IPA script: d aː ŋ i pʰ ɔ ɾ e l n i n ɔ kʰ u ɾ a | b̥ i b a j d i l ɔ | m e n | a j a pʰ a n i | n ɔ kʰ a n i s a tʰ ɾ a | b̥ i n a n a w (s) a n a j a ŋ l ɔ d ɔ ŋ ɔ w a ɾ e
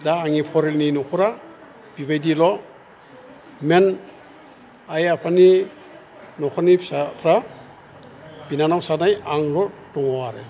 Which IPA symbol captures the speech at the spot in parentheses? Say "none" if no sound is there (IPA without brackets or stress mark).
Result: s